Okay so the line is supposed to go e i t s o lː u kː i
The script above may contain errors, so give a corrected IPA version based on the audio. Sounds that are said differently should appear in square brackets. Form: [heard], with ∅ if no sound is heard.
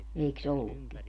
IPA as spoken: e i [k] s o lː u kː i